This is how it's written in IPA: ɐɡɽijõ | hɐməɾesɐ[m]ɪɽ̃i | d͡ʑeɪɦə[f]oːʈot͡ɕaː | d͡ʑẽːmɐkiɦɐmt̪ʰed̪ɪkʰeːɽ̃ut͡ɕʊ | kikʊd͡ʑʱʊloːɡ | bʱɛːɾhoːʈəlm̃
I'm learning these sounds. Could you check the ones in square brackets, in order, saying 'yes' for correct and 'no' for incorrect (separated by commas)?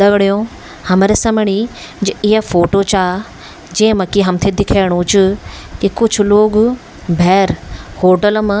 yes, yes